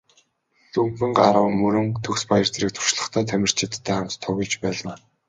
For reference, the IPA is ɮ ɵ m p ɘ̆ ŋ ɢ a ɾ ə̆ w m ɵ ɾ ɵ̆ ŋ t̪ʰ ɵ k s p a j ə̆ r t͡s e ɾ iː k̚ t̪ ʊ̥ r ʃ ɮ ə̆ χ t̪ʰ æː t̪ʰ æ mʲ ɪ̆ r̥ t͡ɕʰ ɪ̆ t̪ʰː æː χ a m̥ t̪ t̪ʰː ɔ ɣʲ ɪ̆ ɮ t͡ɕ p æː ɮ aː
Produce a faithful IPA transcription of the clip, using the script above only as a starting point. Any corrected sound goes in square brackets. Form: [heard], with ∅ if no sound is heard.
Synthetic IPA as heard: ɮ ɵ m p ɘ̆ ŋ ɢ a ɾ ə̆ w m ɵ ɾ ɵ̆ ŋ t̪ʰ ɵ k s p a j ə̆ r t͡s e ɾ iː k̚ [t̪ʰ] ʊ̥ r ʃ ɮ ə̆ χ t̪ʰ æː t̪ʰ æ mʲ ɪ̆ r̥ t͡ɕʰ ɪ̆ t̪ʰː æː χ a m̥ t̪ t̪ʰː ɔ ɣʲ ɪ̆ ɮ t͡ɕ p æː ɮ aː